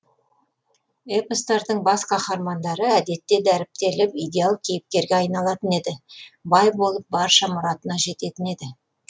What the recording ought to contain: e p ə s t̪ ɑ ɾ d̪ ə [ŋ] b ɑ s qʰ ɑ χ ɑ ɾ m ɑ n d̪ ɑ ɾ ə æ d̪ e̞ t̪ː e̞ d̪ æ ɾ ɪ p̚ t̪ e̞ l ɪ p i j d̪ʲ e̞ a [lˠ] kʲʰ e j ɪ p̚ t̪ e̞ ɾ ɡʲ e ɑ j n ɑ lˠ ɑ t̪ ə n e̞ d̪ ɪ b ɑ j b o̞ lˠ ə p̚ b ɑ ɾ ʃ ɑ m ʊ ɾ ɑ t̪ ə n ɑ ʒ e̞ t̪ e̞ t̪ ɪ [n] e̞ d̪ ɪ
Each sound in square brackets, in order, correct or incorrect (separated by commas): incorrect, correct, correct